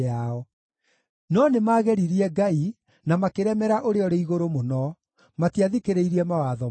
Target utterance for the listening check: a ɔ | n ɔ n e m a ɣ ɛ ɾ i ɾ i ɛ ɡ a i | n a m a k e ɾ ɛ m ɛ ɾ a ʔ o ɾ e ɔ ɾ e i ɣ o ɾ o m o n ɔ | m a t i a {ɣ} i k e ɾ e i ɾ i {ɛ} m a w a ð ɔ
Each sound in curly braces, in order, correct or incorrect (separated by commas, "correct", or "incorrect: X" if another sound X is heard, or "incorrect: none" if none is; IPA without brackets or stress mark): incorrect: ð, correct